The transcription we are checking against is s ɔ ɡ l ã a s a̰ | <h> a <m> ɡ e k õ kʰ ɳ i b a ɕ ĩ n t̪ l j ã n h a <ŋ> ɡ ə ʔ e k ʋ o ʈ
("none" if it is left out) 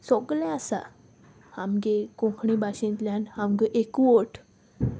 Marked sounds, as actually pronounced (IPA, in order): h, m, m

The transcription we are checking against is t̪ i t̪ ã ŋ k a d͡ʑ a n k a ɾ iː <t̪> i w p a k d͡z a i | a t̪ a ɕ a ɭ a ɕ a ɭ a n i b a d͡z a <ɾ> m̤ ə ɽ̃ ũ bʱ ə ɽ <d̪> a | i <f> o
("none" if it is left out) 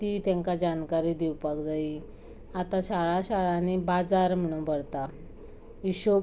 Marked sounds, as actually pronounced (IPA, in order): d̪, ɾ, t̪, ɕ

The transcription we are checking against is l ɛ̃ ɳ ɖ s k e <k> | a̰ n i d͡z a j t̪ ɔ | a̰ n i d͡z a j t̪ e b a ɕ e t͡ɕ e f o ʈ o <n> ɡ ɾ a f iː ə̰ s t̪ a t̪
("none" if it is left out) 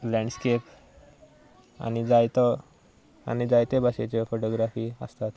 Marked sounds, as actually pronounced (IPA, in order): p, none

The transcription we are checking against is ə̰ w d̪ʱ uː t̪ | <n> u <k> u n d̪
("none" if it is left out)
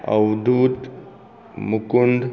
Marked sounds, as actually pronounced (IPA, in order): m, k

